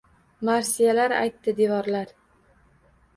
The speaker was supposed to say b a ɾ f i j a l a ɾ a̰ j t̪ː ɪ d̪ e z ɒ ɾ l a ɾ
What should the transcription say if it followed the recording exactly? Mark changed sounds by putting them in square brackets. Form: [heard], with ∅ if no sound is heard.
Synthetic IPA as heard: [m] a ɾ [s] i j a l a ɾ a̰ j t̪ː ɪ d̪ e [v] ɒ ɾ l a ɾ